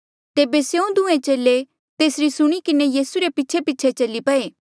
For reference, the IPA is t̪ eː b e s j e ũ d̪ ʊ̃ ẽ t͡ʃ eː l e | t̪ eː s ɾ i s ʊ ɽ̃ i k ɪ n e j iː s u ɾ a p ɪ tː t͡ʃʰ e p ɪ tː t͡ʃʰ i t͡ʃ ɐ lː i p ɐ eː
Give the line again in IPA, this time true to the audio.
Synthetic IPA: t̪ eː b e s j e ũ d̪ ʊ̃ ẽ t͡ʃ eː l e | t̪ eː s ɾ i s ʊ ɽ̃ i k ɪ n e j iː s u ɾ e p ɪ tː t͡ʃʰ e p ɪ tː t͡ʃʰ e t͡ʃ ɐ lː i p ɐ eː